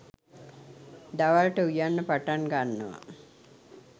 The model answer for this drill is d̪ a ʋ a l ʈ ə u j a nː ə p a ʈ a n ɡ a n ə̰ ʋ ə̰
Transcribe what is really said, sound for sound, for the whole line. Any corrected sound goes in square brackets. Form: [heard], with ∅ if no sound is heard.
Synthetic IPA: d̪ a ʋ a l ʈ ə u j a nː ə p a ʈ a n ɡ a [nː] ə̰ ʋ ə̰